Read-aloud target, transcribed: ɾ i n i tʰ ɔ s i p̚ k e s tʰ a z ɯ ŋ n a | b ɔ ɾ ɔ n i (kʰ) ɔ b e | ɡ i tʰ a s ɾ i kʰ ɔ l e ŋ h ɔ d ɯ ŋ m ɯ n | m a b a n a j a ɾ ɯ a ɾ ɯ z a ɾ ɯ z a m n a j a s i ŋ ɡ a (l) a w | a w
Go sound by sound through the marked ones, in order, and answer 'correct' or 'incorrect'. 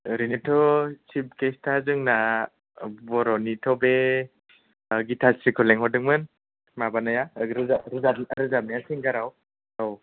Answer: incorrect: tʰ, incorrect: ɾ

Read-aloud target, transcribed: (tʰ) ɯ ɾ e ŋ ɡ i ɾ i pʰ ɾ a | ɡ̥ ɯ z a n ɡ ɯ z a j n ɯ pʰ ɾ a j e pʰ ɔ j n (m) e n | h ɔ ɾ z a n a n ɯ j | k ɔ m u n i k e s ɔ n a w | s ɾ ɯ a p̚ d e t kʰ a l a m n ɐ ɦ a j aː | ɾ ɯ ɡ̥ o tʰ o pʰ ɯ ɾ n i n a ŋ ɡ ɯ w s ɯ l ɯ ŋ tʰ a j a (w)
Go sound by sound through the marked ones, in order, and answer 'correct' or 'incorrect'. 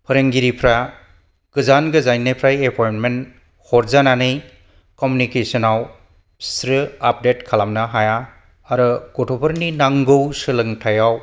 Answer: incorrect: pʰ, correct, correct

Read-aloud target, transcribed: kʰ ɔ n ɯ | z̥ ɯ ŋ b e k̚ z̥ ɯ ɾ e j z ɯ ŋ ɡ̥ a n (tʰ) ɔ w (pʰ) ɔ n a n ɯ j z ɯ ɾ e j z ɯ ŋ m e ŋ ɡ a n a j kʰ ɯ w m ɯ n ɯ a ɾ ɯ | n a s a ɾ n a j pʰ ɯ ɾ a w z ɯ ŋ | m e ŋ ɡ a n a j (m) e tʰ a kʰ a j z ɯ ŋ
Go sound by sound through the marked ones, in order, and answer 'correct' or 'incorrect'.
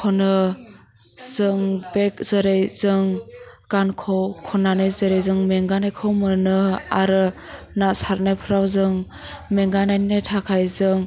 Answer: incorrect: kʰ, incorrect: kʰ, incorrect: n

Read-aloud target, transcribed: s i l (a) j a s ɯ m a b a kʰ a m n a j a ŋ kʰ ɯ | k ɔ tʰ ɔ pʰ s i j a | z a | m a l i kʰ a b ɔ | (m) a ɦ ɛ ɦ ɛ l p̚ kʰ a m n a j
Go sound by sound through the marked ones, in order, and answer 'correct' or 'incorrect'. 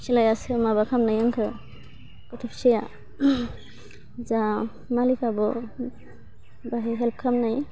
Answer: correct, incorrect: b

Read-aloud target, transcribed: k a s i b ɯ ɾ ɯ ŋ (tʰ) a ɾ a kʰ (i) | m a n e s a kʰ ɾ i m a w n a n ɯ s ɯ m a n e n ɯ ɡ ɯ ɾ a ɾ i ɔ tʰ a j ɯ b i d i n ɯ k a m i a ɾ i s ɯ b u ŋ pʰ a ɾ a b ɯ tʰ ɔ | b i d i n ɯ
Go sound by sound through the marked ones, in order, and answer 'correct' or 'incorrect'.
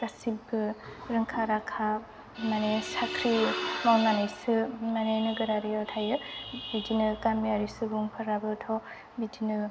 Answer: incorrect: kʰ, incorrect: a

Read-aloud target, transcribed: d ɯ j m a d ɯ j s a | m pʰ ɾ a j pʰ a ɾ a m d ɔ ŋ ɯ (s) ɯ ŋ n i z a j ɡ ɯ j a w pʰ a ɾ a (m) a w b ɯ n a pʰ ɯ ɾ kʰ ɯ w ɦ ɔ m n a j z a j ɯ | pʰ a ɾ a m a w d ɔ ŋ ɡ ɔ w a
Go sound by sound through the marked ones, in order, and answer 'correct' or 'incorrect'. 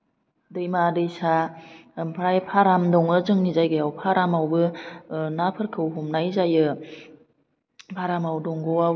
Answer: incorrect: z, correct

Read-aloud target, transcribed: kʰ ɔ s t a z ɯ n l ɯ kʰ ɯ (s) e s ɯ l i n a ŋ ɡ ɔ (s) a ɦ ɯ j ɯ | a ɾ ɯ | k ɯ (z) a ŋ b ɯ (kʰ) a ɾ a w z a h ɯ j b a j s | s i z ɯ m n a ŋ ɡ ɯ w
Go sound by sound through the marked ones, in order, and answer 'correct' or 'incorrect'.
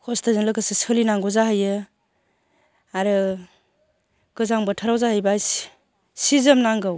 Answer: correct, incorrect: z, correct, incorrect: tʰ

